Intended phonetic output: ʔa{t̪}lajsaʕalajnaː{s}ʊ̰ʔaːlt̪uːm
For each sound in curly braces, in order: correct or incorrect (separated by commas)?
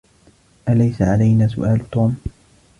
incorrect, correct